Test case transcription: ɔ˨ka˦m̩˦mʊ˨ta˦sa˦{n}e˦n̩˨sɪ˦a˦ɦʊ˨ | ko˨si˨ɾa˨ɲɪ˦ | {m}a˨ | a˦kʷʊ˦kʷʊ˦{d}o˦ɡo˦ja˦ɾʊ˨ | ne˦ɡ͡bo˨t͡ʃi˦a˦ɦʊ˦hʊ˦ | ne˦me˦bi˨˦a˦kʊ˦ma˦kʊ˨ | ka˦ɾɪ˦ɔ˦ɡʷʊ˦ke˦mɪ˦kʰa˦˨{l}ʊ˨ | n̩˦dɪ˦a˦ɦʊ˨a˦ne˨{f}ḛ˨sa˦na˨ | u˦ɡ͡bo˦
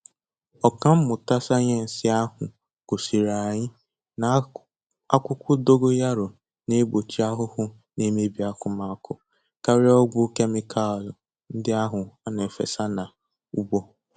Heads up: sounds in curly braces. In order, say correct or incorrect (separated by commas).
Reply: incorrect, incorrect, correct, correct, correct